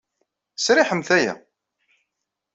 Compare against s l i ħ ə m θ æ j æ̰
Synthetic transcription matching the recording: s ɾ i ħ ə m θ æ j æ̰